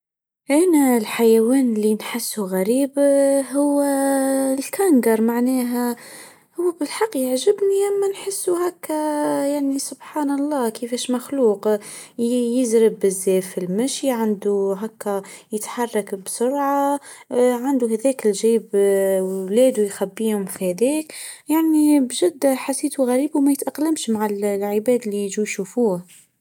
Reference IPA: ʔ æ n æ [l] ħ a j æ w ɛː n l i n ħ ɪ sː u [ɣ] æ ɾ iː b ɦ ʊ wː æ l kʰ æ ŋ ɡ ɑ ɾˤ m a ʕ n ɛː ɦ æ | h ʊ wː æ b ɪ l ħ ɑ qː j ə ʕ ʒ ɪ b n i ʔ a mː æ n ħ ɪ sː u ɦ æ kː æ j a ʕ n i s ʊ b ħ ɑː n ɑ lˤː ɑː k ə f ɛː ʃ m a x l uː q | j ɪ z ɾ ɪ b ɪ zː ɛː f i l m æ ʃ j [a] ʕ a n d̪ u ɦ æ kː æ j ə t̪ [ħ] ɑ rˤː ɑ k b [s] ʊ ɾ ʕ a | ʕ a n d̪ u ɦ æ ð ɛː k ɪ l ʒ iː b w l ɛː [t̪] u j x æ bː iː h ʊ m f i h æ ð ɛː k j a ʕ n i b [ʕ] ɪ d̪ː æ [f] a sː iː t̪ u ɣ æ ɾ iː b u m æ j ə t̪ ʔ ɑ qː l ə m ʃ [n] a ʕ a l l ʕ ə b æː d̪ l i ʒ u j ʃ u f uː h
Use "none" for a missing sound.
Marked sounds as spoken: l, ɣ, i, ħ, s, d̪, ʒ, ħ, m

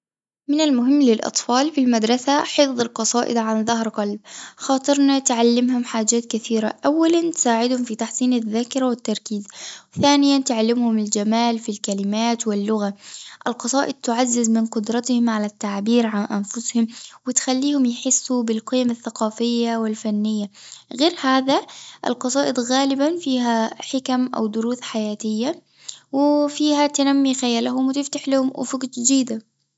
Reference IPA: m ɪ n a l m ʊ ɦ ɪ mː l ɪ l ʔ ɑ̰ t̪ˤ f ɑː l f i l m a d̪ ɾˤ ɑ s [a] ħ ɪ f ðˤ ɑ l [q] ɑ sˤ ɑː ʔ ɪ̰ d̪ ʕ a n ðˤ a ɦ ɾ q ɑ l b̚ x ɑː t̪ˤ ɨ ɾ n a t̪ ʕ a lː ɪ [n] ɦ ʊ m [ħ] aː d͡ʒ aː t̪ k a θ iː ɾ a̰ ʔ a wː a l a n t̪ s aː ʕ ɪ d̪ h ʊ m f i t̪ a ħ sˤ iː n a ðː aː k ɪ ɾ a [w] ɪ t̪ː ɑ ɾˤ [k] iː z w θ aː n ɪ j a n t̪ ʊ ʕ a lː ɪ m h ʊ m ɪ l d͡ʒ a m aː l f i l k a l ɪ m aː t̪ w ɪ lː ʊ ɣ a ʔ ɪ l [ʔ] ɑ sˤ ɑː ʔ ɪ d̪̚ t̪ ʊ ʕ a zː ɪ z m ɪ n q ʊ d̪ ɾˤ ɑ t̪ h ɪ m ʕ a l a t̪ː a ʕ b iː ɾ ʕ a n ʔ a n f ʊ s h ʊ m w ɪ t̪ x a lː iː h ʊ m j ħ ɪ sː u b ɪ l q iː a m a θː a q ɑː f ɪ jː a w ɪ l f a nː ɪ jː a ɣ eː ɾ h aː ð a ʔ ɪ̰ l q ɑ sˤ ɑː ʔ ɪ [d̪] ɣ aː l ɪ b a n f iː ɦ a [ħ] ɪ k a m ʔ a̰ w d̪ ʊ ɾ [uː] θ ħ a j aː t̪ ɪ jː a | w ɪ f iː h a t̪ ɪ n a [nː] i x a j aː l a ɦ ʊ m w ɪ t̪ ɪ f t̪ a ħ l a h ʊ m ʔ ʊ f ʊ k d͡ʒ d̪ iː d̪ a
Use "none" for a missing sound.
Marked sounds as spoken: a, q, m, ħ, w, k, q, d̪, ħ, uː, mː

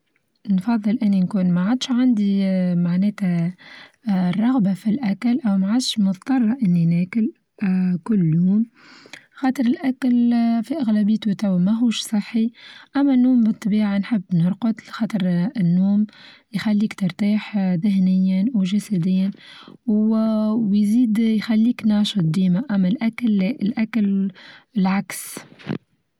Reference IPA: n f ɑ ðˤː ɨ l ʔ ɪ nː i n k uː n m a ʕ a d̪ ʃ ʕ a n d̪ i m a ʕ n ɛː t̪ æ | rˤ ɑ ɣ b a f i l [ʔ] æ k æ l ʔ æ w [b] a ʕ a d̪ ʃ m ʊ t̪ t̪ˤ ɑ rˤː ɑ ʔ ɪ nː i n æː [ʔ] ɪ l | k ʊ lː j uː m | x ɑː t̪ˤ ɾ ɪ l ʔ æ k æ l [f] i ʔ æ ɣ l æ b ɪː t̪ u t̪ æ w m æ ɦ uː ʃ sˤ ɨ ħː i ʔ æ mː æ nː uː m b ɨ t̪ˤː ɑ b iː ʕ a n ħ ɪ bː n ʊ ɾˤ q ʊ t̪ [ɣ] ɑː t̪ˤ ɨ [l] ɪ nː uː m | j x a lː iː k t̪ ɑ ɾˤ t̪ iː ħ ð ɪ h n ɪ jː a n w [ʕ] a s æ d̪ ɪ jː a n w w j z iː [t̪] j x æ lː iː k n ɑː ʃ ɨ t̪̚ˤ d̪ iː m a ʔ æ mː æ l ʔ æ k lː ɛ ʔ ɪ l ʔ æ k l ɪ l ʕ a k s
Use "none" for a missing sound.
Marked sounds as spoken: ʔ, m, k, f, x, ɾ, ʒ, d̪

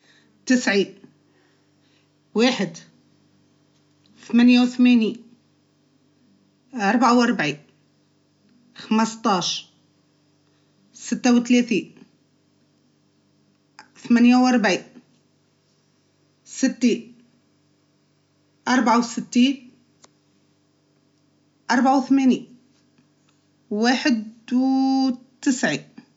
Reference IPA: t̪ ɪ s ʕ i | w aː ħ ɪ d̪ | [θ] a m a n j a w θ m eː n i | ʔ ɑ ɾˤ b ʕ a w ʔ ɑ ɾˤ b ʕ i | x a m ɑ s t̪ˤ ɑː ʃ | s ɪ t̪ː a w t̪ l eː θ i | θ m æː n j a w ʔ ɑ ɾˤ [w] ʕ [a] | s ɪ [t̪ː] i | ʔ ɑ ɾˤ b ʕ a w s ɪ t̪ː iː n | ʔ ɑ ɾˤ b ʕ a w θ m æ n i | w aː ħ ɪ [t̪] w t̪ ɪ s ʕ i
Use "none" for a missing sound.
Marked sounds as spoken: θ, b, i, t̪ː, d̪

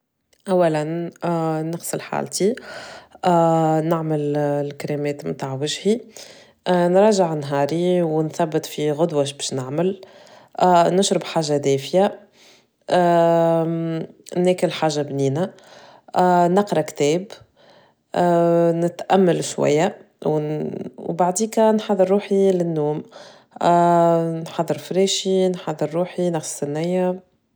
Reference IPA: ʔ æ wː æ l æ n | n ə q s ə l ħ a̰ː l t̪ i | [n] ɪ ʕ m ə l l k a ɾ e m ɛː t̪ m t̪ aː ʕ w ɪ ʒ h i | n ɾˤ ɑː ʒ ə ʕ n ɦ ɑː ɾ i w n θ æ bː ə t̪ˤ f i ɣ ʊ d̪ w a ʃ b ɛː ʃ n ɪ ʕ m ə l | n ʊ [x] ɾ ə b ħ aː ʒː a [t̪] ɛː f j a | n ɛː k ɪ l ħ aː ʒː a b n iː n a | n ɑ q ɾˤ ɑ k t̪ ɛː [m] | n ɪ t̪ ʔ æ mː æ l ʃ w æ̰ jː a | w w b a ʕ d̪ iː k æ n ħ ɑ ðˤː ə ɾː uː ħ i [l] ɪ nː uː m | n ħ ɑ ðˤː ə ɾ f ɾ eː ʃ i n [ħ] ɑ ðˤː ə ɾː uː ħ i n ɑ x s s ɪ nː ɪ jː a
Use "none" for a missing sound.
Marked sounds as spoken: n, ʃ, d̪, b, l, ħ

